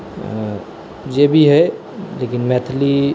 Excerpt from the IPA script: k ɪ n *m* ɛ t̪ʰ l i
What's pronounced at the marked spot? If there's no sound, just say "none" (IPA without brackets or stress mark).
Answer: m